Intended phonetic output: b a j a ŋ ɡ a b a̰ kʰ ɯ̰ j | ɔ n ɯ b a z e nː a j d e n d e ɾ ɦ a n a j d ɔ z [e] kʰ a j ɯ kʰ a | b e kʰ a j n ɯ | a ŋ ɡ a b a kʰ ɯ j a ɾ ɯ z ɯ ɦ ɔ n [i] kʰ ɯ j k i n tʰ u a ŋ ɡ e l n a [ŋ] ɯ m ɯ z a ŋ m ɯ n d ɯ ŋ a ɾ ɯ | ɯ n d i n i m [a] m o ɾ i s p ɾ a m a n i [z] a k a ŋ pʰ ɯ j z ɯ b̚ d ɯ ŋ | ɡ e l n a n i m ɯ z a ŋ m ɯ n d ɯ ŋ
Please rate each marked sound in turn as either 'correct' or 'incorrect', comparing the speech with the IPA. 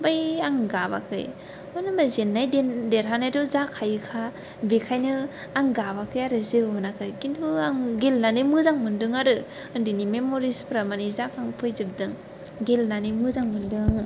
incorrect, incorrect, incorrect, incorrect, correct

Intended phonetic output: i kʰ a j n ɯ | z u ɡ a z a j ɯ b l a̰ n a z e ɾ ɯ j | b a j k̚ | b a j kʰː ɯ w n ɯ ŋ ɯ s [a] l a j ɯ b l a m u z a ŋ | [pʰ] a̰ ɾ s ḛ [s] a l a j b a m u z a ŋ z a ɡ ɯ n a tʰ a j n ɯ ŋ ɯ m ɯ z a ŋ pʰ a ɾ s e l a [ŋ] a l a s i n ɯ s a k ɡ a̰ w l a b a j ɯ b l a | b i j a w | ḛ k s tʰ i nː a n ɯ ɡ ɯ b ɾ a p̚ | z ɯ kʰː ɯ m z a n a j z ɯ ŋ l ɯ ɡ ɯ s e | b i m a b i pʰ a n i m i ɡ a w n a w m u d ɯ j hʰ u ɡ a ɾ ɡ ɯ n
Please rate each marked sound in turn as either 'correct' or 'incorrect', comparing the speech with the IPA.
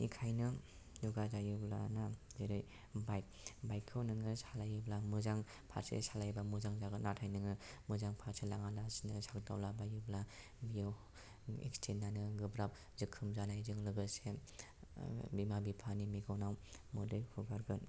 correct, correct, correct, correct

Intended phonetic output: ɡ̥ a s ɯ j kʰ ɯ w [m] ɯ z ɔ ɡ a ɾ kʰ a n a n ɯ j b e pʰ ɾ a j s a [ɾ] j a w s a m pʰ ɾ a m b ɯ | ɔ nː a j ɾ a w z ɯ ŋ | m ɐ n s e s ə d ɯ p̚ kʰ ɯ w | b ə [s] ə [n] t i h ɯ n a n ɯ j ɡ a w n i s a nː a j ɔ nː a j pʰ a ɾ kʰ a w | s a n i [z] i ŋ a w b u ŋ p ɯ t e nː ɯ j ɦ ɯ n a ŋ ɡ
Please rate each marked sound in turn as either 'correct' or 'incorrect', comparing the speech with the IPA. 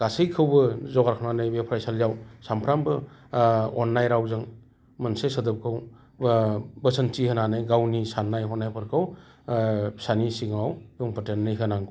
incorrect, incorrect, correct, correct, incorrect

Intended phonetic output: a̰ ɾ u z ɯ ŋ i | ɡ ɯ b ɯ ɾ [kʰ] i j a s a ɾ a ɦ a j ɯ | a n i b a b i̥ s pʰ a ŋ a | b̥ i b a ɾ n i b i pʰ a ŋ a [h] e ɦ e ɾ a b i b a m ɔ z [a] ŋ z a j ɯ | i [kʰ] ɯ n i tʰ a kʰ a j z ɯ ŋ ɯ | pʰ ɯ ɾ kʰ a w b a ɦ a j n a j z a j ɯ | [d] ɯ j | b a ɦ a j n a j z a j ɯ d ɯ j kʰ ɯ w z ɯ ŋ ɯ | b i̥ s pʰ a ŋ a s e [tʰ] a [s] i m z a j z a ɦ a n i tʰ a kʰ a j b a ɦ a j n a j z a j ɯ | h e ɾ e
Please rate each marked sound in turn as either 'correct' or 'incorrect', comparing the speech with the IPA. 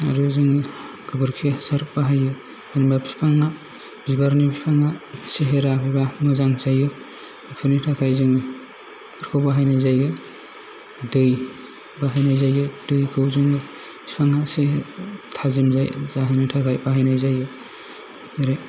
correct, incorrect, correct, incorrect, correct, correct, incorrect

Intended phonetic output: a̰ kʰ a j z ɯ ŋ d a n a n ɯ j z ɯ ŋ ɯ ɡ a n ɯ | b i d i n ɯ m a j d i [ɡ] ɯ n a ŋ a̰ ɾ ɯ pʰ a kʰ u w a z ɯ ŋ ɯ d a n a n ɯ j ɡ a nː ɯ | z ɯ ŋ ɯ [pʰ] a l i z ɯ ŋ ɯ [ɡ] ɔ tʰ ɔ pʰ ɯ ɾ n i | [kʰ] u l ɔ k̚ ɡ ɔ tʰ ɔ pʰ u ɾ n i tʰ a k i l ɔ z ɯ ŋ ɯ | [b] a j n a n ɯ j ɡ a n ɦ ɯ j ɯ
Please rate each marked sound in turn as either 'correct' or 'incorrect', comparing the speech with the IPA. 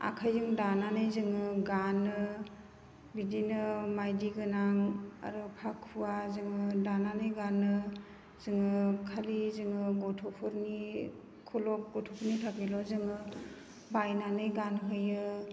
correct, incorrect, correct, correct, correct

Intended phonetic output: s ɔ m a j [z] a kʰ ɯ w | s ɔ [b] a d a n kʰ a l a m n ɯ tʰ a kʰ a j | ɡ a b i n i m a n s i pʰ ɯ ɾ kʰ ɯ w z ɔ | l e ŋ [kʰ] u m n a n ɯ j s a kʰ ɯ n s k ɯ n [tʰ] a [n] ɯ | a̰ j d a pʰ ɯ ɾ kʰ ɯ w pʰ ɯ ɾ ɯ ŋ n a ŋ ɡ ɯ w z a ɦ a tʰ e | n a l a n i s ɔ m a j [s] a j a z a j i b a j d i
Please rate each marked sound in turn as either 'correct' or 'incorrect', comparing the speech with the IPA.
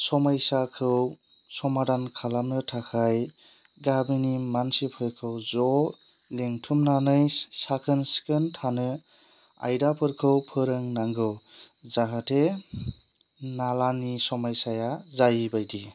incorrect, incorrect, incorrect, correct, correct, correct

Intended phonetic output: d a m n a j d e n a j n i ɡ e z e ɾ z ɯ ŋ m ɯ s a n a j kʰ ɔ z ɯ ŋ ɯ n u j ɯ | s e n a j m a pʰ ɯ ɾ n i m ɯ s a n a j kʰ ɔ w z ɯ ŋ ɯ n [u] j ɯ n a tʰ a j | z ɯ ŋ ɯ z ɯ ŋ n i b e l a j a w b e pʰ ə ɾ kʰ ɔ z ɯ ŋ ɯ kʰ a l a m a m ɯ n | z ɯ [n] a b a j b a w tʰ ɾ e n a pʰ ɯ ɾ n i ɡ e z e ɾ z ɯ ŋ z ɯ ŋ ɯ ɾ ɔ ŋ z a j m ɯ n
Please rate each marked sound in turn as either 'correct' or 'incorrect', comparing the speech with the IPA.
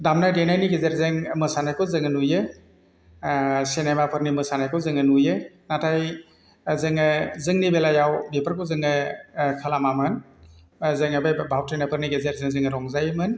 correct, incorrect

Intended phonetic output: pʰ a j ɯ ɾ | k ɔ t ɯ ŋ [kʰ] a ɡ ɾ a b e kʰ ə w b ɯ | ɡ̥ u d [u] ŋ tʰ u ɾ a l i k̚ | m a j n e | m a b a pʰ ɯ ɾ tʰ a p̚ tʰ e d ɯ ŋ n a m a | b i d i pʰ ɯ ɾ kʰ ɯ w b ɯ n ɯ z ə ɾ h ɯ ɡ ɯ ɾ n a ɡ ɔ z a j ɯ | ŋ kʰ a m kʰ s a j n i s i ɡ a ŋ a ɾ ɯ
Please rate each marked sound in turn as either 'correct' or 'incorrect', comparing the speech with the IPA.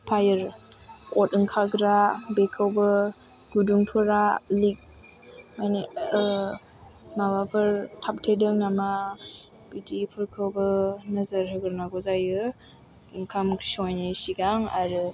correct, correct

